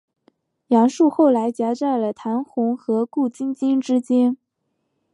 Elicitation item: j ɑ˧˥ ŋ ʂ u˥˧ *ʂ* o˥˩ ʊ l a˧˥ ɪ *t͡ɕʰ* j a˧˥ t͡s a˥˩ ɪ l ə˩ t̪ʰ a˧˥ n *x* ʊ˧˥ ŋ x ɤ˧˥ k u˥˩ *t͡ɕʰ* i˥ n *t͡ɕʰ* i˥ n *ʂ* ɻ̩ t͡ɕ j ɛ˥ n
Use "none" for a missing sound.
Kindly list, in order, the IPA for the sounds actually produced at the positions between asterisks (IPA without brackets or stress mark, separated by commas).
x, t͡ɕ, x, t͡ɕ, t͡ɕ, ʈ͡ʂ